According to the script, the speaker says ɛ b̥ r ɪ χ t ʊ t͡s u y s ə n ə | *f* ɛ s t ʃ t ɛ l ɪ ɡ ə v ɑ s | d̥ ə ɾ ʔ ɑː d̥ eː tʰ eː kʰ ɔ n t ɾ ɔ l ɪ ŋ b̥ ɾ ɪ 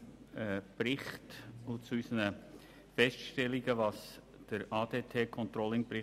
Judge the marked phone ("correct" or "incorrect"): correct